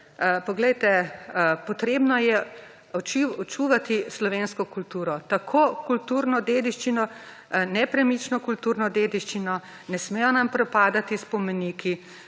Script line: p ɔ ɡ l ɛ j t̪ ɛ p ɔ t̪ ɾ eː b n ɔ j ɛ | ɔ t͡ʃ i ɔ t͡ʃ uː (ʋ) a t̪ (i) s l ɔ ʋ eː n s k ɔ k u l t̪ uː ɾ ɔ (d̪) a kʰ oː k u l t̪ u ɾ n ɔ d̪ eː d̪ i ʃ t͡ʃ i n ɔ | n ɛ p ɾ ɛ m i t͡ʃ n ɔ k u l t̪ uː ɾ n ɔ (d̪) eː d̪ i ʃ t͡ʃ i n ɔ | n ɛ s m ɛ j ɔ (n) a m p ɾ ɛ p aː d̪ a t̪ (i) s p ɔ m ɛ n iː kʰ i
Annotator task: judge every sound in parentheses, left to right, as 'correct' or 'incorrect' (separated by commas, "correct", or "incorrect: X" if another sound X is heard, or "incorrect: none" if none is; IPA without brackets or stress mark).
correct, correct, incorrect: t̪, correct, correct, correct